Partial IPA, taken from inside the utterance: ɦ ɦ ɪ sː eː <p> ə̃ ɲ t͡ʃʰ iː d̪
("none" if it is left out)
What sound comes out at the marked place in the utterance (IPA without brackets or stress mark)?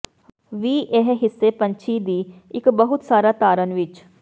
p